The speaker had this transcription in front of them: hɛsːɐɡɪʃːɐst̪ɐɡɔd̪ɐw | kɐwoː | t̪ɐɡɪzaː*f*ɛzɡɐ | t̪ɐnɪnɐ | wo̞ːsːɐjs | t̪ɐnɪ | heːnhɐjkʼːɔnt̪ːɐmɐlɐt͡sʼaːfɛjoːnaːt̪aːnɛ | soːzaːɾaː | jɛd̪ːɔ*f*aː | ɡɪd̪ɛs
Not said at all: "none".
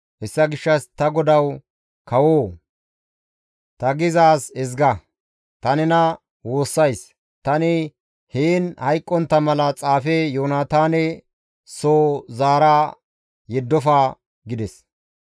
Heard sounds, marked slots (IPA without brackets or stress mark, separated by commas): s, f